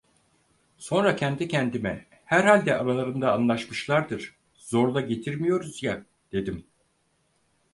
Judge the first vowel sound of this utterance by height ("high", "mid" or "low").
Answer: mid